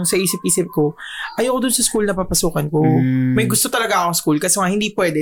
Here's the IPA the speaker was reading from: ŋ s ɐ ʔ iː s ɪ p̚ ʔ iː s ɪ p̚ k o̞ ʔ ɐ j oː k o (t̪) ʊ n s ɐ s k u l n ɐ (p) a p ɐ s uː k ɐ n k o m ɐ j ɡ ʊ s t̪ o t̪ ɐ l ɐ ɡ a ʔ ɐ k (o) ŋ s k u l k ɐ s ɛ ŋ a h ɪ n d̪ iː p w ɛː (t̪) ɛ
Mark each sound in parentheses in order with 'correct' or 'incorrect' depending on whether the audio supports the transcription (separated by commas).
incorrect, correct, correct, incorrect